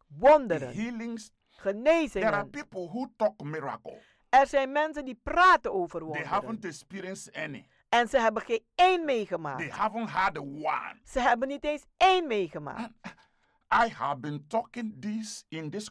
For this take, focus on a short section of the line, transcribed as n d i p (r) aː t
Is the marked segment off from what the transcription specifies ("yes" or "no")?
no